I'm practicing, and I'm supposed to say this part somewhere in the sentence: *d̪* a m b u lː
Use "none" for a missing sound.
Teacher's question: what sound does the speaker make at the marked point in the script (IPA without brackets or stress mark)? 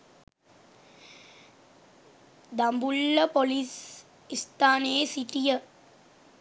d̪